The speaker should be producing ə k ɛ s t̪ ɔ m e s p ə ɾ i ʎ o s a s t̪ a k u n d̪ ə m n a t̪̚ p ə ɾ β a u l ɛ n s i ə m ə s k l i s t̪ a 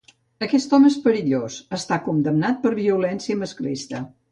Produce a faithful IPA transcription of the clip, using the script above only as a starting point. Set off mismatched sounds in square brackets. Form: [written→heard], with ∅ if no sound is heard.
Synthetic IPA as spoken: ə k ɛ s t̪ ɔ m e s p ə ɾ i ʎ o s [a→ə] s t̪ a k u n d̪ ə m n a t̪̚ p ə ɾ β [a→i] u l ɛ n s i ə m ə s k l i s t̪ [a→ə]